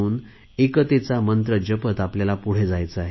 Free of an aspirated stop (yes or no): yes